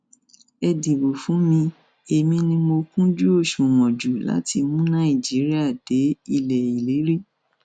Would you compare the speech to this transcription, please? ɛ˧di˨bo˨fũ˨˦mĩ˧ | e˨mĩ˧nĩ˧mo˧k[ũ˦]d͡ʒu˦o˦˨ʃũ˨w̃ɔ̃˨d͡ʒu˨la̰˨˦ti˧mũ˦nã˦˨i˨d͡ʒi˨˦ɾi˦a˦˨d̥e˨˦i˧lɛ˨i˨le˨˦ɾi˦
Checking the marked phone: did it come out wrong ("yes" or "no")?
no